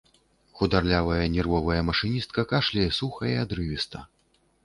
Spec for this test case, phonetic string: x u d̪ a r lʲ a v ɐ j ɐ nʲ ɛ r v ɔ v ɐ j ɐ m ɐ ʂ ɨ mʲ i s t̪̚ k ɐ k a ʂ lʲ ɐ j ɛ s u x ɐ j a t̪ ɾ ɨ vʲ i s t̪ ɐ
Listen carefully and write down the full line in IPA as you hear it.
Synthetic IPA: x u d̪ a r lʲ a v ɐ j ɐ nʲ ɛ r v ɔ v ɐ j ɐ m ɐ ʂ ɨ nʲ i s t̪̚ k ɐ k a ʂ lʲ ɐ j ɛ s u x ɐ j a d̪ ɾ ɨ vʲ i s t̪ ɐ